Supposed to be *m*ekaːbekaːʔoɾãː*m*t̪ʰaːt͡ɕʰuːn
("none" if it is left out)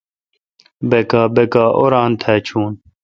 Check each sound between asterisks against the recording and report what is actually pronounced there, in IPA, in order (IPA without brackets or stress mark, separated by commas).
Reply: b, n